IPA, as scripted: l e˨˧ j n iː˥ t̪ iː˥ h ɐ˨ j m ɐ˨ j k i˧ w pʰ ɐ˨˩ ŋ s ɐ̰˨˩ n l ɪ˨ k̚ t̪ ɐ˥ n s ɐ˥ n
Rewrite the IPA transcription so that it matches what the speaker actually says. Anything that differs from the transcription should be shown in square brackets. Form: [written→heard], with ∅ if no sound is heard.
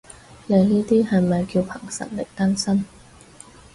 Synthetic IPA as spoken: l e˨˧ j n iː˥ t̪ iː˥ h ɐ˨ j m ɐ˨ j k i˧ w pʰ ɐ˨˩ ŋ s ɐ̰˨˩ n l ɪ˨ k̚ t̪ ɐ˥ n s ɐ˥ n